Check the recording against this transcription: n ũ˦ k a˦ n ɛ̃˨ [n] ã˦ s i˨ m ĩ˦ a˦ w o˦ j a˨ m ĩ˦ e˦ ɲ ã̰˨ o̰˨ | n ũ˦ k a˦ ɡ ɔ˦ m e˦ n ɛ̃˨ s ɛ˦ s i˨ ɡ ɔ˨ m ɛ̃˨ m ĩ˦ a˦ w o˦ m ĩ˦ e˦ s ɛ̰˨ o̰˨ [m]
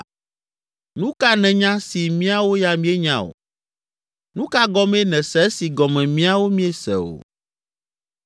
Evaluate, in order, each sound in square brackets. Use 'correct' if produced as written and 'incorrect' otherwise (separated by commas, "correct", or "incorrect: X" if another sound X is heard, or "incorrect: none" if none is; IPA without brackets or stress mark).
incorrect: ɲ, incorrect: none